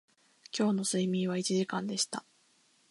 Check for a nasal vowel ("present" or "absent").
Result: present